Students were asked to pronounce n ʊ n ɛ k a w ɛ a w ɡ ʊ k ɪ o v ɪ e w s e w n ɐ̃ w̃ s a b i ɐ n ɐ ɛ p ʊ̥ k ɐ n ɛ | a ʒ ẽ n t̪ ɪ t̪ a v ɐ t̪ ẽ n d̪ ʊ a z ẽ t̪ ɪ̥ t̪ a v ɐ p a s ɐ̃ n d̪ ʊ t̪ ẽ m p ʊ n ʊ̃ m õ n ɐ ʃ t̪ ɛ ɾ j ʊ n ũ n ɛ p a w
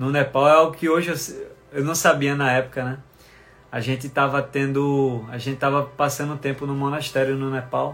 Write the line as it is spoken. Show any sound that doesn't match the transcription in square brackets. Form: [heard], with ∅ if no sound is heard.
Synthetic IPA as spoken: n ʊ n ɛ [p] a w ɛ a w ɡ ʊ k ɪ o [ʒ] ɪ e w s e w n ɐ̃ w̃ s a b i ɐ n ɐ ɛ p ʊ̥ k ɐ n ɛ | a ʒ ẽ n t̪ ɪ t̪ a v ɐ t̪ ẽ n d̪ ʊ a [ʒ] ẽ t̪ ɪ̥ t̪ a v ɐ p a s ɐ̃ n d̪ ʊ t̪ ẽ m p ʊ n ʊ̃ m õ n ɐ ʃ t̪ ɛ ɾ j ʊ n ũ n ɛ p a w